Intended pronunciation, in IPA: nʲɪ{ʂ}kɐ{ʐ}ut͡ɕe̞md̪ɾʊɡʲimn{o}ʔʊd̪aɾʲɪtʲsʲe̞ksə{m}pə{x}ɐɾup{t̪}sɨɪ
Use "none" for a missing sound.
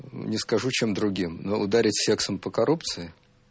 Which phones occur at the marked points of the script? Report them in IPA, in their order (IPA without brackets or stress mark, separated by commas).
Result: s, ʐ, o, m, k, t̪